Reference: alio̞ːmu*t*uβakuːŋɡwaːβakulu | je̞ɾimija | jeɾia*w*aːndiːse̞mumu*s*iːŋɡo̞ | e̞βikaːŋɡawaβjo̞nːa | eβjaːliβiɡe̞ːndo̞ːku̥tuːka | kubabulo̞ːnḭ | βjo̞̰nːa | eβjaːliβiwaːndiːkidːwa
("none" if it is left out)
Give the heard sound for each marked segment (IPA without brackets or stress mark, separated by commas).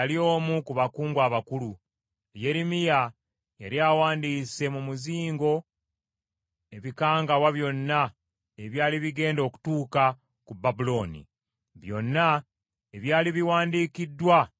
k, w, z